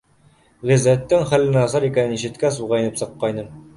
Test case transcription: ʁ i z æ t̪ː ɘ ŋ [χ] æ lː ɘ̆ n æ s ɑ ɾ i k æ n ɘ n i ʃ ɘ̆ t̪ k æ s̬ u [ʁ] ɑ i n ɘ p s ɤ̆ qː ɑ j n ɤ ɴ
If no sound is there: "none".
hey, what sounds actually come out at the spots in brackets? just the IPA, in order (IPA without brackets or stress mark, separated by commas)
χ, ʁ